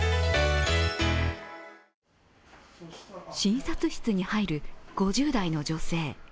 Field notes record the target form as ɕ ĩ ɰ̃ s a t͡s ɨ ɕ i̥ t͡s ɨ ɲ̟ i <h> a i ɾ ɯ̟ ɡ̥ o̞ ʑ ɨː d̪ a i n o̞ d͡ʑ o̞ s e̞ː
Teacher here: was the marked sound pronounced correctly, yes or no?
yes